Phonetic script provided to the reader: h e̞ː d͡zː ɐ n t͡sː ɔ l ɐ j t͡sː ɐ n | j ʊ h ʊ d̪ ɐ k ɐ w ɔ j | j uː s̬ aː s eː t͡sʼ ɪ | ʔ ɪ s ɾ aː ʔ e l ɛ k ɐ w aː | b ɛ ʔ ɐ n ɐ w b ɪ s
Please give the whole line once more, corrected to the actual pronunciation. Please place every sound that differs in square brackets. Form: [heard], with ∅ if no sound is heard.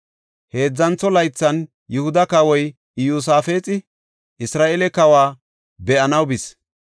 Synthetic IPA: h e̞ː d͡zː ɐ n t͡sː ɔ l ɐ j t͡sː ɐ n | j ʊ h ʊ d̪ ɐ k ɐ w ɔ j | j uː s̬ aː [f] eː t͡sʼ ɪ | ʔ ɪ s ɾ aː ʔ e l ɛ k ɐ w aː | b ɛ ʔ ɐ n ɐ w b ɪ s